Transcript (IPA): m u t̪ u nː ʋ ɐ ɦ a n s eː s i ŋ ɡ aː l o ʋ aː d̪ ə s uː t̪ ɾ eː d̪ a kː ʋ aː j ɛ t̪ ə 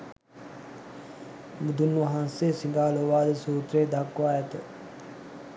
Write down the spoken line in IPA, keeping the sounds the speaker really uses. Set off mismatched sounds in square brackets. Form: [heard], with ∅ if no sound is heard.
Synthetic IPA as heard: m u [d̪] u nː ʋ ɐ ɦ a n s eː s i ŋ ɡ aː l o ʋ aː d̪ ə s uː t̪ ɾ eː d̪ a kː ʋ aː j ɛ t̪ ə